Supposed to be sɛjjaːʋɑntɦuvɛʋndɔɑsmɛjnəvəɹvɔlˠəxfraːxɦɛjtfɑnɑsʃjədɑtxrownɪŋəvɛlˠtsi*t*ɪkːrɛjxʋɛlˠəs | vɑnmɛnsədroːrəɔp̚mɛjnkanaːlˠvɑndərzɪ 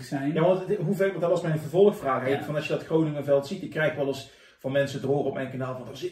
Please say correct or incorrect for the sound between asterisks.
correct